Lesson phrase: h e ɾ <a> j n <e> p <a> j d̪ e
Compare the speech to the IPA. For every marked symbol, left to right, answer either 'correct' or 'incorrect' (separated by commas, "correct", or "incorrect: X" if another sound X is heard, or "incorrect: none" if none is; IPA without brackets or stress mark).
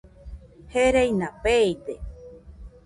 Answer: incorrect: e, incorrect: a, incorrect: e